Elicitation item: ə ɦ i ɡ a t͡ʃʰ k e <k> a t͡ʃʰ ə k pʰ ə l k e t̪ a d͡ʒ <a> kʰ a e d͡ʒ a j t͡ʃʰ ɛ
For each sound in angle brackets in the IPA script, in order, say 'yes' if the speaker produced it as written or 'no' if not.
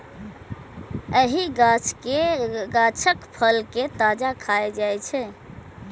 no, yes

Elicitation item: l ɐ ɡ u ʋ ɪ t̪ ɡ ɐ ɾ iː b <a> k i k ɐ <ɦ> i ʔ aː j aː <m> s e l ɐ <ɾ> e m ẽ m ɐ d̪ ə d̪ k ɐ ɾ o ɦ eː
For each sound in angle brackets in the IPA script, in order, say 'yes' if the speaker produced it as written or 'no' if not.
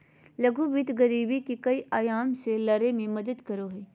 no, no, yes, yes

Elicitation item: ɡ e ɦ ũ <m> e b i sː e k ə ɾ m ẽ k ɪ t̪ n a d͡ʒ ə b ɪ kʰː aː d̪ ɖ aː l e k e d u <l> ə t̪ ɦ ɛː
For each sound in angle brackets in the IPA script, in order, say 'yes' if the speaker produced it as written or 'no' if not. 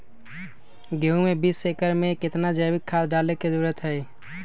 yes, no

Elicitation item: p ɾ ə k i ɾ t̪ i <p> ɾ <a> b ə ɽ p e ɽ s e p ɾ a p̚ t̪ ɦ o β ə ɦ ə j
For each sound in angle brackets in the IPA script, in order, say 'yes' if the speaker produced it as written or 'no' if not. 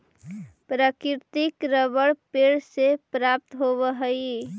no, no

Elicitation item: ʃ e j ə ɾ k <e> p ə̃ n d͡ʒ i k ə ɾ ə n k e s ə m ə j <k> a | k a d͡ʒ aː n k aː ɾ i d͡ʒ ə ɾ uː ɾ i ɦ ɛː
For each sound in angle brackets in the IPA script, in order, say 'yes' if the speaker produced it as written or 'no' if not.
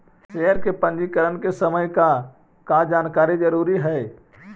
yes, yes

